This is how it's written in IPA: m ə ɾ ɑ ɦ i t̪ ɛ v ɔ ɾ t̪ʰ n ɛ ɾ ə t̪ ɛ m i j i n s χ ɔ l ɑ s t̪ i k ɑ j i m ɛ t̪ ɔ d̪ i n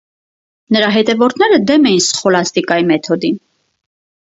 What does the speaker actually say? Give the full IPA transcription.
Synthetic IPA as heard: n ə ɾ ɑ ɦ ɛ t̪ ɛ v ɔ ɾ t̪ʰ n ɛ ɾ ə d̪ ɛ m ɛ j i n s χ ɔ l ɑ s t̪ i k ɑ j i m ɛ t̪ʰ ɔ d̪ i n